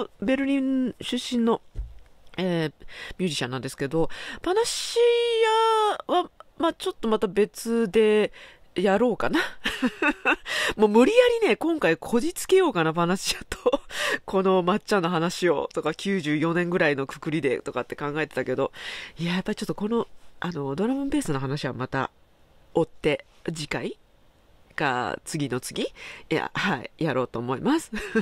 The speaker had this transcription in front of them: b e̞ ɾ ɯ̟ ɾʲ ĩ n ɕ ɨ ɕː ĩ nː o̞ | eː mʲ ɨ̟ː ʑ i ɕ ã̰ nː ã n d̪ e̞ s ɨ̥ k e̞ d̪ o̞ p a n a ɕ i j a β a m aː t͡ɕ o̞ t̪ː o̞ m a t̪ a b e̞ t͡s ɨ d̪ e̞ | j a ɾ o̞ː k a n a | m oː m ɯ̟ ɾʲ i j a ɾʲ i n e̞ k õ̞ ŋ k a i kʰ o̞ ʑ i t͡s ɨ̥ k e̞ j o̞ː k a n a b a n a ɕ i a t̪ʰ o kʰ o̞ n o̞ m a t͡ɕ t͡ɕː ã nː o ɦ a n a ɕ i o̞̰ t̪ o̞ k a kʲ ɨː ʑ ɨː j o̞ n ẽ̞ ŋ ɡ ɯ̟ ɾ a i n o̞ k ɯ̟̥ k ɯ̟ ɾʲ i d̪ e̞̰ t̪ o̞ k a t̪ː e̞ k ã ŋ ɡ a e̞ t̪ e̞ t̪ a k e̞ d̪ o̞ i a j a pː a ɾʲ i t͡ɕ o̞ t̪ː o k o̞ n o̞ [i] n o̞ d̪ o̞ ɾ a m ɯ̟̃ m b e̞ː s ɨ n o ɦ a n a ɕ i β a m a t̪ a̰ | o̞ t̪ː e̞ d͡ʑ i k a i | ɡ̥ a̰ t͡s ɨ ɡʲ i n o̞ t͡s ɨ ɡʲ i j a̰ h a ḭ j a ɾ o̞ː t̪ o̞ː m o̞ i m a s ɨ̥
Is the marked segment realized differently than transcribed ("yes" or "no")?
yes